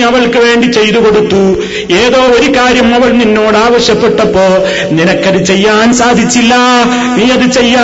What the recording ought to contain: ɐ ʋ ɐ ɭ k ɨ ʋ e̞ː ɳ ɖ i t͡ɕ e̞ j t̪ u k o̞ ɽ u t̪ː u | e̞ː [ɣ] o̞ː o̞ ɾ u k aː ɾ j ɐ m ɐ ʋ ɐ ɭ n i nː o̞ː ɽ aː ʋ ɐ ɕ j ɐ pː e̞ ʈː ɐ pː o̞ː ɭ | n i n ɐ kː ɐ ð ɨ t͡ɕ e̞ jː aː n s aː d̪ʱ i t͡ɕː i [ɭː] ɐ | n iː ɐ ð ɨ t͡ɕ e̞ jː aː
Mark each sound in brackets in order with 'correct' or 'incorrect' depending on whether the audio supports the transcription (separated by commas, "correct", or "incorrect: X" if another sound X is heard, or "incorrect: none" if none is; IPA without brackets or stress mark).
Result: incorrect: ð, incorrect: lː